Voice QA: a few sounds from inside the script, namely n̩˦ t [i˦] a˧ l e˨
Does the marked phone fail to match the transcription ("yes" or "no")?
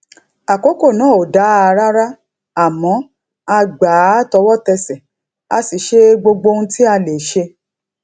no